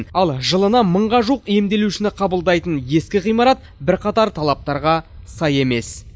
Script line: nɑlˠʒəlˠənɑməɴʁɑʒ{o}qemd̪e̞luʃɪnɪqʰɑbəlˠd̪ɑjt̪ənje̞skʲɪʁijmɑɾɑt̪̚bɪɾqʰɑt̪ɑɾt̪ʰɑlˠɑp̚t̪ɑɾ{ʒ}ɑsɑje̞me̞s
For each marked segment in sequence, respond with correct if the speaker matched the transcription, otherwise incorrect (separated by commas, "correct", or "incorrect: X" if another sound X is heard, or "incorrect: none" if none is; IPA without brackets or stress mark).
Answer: incorrect: u, incorrect: ʁ